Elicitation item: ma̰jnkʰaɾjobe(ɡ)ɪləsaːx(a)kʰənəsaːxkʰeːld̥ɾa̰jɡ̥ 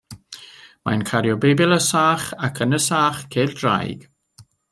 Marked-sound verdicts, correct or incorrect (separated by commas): incorrect, correct